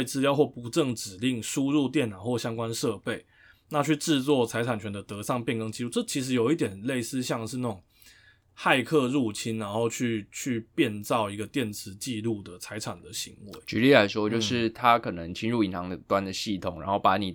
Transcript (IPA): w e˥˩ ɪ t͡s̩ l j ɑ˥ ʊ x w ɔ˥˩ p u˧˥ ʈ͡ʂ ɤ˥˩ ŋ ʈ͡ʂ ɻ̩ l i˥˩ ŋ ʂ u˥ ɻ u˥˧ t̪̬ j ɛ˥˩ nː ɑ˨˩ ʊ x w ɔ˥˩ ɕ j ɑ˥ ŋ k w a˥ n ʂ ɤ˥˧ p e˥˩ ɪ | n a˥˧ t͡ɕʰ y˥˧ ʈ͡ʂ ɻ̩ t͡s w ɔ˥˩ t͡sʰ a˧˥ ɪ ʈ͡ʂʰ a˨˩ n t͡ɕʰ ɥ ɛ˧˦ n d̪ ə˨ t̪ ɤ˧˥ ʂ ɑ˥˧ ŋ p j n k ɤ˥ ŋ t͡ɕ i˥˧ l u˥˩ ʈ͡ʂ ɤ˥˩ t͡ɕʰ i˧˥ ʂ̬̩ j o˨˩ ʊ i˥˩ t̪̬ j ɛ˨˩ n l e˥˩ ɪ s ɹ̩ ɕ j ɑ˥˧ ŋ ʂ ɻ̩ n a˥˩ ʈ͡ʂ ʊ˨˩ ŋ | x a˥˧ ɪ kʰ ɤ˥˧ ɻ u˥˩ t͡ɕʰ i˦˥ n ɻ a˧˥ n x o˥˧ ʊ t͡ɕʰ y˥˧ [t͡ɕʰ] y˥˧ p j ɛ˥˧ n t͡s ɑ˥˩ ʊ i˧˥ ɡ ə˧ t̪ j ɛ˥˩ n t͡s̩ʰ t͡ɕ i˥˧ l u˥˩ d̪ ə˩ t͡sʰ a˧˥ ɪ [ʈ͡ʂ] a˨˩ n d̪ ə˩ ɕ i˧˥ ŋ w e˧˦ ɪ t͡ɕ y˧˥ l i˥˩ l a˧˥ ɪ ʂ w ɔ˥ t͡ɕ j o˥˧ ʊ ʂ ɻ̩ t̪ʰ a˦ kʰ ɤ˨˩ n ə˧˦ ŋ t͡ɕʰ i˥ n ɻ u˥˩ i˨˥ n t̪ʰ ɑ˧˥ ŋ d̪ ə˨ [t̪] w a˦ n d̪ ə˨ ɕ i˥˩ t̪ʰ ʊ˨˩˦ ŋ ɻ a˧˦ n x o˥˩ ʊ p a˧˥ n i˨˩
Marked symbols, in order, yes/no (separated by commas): yes, no, yes